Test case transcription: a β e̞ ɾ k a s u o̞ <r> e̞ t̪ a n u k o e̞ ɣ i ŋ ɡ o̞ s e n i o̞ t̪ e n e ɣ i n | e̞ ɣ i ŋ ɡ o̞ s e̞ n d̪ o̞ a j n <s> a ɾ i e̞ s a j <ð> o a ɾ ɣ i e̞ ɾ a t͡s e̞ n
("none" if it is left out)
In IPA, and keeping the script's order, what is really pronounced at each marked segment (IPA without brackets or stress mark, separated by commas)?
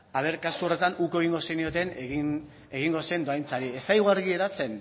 r, t͡s, ɣ